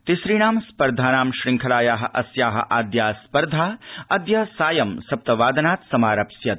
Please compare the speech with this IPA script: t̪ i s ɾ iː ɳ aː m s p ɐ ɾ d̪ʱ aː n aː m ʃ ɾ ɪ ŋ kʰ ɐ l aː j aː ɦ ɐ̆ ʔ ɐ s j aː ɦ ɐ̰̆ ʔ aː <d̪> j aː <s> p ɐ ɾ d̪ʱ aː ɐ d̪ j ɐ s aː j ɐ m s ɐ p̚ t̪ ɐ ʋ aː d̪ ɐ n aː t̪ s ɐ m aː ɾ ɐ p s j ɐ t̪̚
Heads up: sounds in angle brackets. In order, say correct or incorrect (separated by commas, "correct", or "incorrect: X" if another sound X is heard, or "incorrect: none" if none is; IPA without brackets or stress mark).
correct, correct